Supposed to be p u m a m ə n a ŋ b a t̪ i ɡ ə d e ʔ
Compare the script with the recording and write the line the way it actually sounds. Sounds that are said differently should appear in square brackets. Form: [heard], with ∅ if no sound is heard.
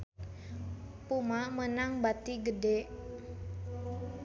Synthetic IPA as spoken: p u m a m ə n a ŋ b a t̪ i ɡ ə d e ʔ